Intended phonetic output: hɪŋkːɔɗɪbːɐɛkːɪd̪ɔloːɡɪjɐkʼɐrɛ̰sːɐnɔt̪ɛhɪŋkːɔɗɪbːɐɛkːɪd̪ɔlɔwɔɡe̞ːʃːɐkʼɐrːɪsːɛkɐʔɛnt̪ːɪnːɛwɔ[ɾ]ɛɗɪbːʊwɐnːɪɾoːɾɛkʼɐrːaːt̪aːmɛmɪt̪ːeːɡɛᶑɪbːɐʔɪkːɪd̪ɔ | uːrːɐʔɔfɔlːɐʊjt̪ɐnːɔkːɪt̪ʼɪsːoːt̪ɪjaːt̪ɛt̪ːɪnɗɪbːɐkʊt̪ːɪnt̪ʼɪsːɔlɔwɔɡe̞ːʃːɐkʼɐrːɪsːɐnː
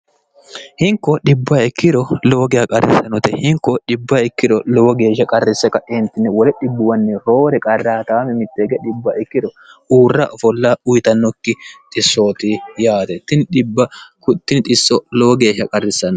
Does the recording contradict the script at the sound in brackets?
yes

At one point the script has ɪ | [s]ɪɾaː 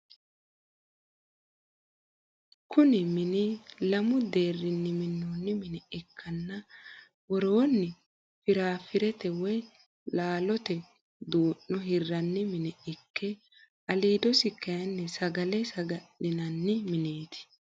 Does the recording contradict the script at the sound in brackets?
yes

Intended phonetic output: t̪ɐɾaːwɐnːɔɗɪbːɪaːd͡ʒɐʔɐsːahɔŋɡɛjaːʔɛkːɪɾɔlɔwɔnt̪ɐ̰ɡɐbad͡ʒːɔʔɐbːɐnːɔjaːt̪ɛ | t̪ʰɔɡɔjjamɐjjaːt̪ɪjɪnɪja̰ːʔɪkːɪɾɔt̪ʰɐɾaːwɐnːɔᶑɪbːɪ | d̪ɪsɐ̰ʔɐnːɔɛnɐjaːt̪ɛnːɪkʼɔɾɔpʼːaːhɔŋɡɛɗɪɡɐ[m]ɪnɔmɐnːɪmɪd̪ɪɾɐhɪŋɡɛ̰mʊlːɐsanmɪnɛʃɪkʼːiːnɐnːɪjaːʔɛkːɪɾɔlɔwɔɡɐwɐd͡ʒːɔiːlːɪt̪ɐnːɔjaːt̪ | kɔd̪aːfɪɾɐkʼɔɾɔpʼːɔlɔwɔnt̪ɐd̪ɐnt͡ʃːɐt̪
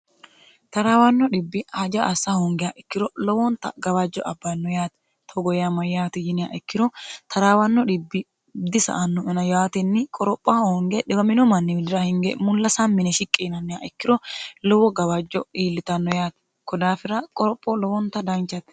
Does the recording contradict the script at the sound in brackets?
no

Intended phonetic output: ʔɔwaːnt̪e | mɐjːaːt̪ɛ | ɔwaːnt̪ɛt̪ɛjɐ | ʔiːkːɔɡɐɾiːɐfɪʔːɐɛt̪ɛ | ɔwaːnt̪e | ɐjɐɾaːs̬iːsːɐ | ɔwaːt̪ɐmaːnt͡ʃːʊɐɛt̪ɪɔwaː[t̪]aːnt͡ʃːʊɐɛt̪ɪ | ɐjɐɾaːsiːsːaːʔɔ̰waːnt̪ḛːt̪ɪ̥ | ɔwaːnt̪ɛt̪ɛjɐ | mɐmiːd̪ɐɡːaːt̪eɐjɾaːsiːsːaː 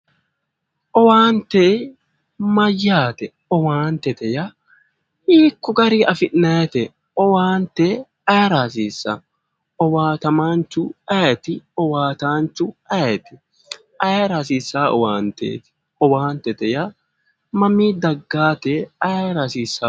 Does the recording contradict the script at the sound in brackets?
no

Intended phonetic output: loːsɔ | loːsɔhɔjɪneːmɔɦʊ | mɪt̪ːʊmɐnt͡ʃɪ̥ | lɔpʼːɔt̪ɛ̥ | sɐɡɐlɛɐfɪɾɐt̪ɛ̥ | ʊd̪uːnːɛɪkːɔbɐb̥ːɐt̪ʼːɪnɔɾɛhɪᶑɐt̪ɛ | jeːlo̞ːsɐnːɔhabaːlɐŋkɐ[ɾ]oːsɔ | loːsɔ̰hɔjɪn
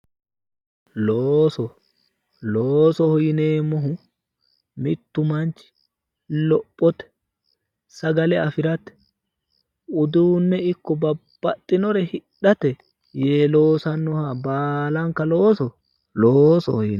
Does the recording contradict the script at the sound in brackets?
yes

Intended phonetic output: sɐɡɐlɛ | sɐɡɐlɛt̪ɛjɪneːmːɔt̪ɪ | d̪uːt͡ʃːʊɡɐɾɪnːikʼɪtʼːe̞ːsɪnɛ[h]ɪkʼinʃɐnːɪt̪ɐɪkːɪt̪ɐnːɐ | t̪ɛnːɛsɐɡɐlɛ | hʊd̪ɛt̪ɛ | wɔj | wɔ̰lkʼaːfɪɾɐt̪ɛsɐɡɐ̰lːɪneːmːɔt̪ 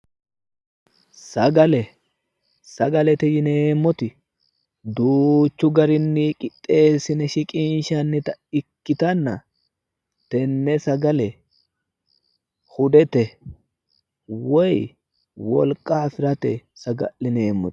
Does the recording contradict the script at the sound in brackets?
yes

